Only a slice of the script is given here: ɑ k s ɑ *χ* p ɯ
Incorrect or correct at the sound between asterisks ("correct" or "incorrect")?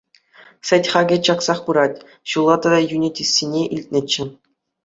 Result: correct